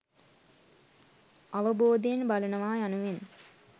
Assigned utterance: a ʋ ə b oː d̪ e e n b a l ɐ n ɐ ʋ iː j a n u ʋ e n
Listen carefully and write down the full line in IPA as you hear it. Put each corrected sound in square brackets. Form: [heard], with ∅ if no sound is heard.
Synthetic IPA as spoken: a ʋ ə b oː d̪ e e n b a l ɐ n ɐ ʋ [aː] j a n u ʋ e n